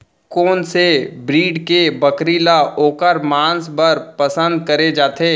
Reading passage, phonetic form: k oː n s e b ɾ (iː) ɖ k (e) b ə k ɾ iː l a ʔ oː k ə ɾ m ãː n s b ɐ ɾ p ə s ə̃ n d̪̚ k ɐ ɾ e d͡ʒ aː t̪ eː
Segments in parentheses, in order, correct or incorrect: correct, correct

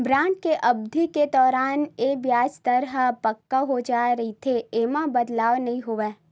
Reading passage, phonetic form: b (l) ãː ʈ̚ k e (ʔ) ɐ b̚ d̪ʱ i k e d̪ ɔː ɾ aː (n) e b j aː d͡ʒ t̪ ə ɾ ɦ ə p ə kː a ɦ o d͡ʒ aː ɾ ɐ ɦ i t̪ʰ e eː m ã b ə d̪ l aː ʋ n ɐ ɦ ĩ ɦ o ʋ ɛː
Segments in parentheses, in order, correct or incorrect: incorrect: ɾ, correct, correct

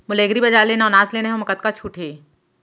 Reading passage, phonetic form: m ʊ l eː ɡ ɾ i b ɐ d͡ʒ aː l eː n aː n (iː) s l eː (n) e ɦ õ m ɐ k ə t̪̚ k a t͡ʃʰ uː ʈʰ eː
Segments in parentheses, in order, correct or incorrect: incorrect: aː, correct

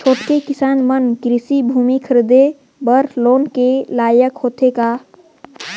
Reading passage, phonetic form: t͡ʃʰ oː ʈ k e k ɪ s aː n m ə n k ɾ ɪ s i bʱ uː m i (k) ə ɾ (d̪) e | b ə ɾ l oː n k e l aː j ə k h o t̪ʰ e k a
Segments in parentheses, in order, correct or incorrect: incorrect: kʰ, correct

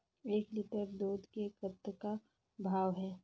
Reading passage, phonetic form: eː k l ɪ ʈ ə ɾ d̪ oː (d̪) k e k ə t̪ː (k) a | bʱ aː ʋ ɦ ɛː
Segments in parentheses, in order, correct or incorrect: correct, correct

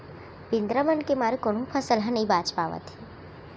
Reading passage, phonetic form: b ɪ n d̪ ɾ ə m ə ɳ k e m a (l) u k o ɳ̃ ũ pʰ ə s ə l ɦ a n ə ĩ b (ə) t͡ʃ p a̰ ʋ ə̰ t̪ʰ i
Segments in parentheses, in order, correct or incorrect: incorrect: ɾ, incorrect: a

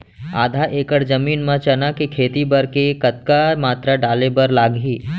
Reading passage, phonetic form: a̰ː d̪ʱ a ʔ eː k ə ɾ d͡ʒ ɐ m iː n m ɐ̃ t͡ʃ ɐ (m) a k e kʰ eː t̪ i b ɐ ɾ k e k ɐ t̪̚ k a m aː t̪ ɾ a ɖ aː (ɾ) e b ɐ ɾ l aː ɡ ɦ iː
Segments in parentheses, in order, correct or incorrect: incorrect: n, incorrect: l

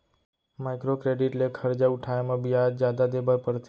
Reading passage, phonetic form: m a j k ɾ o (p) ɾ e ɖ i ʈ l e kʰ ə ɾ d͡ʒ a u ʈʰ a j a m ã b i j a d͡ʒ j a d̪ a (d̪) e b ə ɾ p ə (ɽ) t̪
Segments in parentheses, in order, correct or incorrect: incorrect: k, correct, incorrect: ɾ

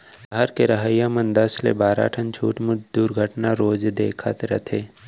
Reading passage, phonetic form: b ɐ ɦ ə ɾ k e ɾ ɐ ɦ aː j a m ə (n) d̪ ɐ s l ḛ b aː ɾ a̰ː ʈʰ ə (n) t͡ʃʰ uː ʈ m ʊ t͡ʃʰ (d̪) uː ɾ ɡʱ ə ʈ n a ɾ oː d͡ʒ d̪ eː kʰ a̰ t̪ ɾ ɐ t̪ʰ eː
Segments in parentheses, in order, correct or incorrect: correct, correct, correct

